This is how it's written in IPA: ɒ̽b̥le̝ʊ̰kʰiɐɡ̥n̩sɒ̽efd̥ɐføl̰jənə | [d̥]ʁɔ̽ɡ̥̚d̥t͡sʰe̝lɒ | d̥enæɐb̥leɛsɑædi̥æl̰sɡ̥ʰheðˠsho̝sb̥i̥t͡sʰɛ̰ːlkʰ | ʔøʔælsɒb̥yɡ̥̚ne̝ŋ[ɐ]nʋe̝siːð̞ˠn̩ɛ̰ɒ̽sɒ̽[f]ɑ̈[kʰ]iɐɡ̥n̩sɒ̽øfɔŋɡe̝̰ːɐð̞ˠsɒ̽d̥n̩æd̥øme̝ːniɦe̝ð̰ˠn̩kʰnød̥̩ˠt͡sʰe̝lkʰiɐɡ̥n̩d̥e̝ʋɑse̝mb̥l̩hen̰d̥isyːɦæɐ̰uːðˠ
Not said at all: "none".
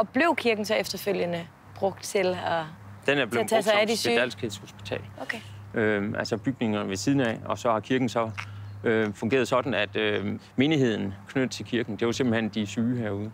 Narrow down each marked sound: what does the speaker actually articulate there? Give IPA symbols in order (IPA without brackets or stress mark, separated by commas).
b̥, ɐ, h, kʰ